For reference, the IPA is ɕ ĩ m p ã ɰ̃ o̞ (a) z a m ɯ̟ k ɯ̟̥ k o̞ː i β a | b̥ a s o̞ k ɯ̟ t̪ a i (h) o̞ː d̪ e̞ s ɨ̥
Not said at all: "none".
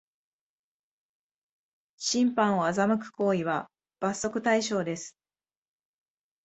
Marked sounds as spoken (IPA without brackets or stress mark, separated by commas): a, ɕ